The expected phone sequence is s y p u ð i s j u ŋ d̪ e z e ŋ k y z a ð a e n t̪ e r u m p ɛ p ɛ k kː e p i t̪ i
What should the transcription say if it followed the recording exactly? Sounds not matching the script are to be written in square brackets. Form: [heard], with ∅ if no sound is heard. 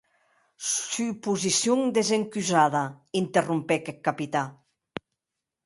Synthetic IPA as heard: s y p u [z] i s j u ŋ d̪ e z e ŋ k y z a ð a [i] n t̪ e r u m p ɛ [k] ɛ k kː [a] p i t̪ [a]